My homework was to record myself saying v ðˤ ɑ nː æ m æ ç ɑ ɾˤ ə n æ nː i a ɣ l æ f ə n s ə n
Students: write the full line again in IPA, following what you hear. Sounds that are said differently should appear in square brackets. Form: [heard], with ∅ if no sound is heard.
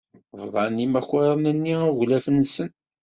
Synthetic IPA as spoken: v ðˤ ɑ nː [i] m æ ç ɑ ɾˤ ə n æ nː i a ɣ l æ f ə n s ə n